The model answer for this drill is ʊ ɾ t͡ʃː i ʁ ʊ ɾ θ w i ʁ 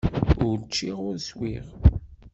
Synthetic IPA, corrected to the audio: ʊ ɾ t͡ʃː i ʁ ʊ ɾ s w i ʁ